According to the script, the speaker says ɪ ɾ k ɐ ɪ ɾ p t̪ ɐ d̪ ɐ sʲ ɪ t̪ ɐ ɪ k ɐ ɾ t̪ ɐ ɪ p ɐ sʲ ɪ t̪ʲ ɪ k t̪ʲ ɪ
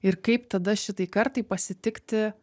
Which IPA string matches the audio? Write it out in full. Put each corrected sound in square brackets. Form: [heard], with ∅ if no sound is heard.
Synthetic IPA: ɪ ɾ k ɐ ɪ [∅] p t̪ ɐ d̪ ɐ [ʃʲ] ɪ t̪ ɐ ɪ k ɐ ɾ t̪ ɐ ɪ p ɐ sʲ ɪ t̪ʲ ɪ k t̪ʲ ɪ